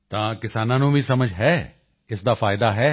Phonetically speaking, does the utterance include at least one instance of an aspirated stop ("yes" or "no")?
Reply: no